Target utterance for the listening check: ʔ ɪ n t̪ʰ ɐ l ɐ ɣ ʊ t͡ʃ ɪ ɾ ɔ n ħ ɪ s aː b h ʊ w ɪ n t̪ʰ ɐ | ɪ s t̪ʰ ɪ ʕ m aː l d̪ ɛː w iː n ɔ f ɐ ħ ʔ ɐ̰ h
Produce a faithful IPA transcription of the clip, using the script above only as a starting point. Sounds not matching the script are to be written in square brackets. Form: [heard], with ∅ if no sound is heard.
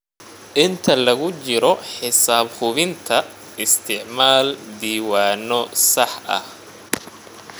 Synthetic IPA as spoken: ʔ ɪ n t̪ʰ ɐ l ɐ ɣ ʊ t͡ʃ ɪ ɾ ɔ [∅] ħ ɪ s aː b h ʊ [β] ɪ n t̪ʰ ɐ | ɪ s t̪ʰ ɪ ʕ m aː l d̪ [iː] w [aː] n ɔ [s] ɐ ħ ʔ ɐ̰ h